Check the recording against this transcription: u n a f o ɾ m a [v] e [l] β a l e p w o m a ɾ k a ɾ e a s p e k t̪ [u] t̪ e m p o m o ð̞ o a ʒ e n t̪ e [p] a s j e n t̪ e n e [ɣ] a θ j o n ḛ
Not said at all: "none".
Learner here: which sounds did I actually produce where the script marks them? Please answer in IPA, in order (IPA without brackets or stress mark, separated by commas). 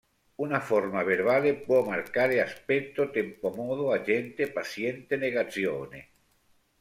β, ɾ, o, p, ɣ